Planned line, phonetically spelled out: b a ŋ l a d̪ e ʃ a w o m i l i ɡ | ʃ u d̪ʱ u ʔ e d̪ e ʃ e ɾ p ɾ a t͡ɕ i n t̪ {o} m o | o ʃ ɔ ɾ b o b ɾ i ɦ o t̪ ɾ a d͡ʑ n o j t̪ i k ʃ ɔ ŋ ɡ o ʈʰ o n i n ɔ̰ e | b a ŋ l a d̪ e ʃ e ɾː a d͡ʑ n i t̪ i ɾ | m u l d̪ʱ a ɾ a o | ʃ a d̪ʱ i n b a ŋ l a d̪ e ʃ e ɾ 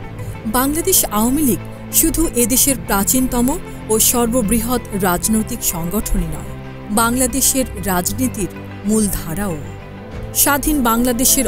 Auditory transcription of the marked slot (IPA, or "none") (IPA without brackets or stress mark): ɔ